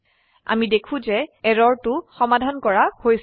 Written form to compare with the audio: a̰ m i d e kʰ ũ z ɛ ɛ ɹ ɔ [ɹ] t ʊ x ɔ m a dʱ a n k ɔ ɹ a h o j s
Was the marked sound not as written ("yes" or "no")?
no